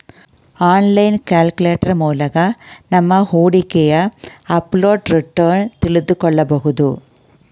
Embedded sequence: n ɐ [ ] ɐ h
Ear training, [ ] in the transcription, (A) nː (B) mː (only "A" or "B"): B